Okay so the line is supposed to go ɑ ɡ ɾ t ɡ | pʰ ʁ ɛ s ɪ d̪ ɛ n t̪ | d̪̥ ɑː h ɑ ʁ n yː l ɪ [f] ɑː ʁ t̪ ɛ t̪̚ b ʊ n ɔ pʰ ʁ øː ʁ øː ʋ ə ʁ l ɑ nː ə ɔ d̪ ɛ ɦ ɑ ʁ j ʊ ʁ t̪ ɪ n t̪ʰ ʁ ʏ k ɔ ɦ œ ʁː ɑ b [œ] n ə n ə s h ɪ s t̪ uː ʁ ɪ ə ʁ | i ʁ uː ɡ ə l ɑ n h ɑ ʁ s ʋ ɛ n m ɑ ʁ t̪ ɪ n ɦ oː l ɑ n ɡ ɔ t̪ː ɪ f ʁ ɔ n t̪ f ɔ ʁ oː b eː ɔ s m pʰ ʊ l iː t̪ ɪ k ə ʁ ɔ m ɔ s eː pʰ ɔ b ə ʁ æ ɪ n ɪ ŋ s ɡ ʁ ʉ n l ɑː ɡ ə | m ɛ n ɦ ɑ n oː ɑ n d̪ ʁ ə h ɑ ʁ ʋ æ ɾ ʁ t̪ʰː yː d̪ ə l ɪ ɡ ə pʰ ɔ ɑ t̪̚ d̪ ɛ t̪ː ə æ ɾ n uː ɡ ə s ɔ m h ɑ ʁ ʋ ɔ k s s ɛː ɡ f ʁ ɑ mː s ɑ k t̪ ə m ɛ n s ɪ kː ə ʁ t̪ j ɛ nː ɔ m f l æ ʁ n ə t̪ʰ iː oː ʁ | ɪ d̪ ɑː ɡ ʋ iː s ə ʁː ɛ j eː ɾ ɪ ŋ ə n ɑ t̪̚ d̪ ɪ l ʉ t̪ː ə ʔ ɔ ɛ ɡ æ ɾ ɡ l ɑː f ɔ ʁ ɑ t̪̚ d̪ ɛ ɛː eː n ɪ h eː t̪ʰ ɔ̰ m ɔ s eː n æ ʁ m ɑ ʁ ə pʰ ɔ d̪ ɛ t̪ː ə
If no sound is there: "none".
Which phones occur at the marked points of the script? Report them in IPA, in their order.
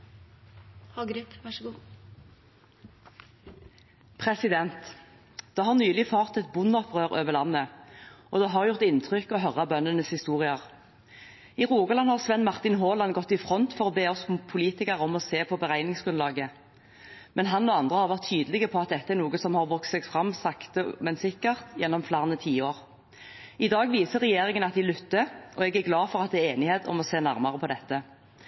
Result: f, œ

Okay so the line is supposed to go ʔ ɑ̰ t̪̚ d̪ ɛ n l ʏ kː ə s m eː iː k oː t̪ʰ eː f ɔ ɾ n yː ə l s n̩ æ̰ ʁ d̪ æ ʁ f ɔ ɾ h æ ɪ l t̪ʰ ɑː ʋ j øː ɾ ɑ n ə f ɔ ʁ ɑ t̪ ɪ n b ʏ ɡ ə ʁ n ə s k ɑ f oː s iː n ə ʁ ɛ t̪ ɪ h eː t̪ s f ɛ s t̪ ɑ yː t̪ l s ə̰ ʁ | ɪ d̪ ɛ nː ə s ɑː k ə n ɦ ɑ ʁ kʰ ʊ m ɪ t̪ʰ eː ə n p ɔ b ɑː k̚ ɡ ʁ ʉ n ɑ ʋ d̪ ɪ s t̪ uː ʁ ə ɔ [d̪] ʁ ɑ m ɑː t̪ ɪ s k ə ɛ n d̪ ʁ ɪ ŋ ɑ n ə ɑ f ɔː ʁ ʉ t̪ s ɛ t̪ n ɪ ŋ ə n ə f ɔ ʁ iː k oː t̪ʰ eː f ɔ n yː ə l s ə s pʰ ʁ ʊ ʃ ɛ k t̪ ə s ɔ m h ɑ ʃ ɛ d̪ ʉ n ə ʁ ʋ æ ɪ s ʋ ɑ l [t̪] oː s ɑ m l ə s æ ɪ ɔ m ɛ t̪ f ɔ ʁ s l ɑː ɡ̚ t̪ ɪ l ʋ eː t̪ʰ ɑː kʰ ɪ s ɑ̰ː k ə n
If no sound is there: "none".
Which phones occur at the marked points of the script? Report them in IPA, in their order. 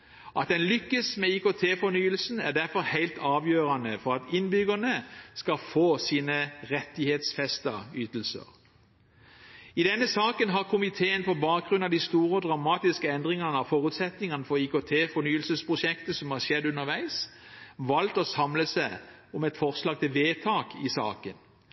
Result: d̪, t̪

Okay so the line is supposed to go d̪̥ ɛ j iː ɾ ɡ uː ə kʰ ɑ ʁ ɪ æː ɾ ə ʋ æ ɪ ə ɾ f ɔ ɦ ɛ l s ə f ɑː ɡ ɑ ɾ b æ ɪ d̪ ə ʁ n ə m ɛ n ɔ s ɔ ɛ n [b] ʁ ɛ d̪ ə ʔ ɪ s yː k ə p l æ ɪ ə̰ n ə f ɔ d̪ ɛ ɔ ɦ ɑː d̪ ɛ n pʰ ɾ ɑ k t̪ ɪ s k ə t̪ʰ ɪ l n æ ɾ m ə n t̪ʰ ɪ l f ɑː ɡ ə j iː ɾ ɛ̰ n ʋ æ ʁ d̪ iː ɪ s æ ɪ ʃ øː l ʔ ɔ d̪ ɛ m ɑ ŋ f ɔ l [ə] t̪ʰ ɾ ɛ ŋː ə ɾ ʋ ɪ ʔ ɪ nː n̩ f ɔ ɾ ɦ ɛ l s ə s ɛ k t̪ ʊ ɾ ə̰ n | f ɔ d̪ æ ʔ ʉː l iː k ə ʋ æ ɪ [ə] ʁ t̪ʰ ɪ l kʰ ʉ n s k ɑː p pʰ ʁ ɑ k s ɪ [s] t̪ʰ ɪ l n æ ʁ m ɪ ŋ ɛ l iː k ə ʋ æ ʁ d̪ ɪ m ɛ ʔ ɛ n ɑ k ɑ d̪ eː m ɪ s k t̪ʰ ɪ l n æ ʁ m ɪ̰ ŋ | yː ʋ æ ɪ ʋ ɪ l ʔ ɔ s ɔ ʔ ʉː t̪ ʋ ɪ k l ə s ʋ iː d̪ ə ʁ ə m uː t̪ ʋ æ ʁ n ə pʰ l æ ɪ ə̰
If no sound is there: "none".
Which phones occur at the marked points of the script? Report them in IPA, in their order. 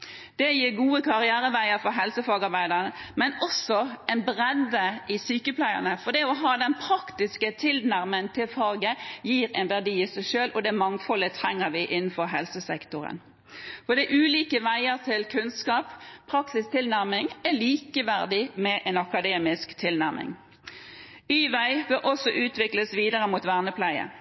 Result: b, ə, ə, s

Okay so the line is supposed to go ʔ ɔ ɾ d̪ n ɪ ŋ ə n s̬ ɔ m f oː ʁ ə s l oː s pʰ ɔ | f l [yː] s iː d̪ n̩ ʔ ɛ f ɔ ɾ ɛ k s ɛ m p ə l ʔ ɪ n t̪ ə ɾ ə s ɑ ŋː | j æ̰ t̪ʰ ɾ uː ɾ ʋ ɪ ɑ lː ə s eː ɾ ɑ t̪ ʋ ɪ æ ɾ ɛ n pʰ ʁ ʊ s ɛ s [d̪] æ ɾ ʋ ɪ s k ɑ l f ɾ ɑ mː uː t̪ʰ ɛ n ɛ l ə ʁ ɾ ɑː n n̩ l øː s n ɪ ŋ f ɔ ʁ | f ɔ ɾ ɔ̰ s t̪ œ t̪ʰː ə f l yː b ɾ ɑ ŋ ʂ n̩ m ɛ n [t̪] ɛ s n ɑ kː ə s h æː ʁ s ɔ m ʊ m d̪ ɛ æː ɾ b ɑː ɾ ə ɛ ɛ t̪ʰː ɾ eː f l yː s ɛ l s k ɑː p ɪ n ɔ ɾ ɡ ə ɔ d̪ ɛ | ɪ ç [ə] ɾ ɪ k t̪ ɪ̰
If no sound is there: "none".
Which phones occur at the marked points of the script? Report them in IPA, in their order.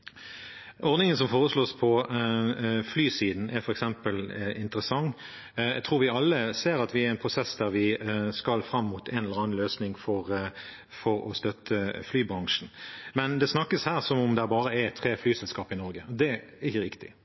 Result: yː, d̪, d̪, ə

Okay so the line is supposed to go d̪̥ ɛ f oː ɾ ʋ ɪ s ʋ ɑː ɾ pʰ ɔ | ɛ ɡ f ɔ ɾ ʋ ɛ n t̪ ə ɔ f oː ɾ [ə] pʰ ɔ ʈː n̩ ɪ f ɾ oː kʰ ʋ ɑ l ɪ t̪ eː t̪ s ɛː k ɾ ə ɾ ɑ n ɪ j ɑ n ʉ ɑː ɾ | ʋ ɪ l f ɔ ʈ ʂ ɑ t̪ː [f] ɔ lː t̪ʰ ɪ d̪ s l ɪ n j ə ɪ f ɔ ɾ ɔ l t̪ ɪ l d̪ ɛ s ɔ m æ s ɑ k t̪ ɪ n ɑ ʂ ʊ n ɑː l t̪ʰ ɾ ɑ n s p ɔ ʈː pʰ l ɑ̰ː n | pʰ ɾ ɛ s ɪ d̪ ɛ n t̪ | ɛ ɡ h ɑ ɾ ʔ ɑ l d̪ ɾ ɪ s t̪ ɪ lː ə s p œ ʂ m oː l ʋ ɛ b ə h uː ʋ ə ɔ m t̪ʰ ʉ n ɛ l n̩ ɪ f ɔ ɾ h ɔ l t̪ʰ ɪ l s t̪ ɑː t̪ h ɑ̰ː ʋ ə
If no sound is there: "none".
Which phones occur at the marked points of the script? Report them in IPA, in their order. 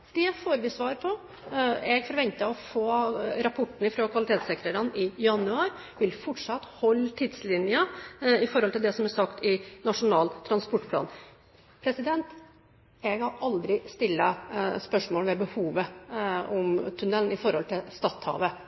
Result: ɑ, h

